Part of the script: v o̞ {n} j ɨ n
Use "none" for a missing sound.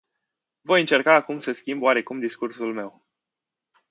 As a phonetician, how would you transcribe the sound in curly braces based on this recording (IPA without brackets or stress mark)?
none